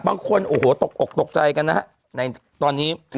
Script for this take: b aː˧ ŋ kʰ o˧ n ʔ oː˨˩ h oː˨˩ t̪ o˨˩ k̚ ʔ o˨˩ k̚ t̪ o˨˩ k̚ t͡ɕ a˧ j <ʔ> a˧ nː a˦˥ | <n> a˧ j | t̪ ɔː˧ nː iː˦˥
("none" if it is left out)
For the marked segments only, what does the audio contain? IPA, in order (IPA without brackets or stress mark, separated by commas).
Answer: k, n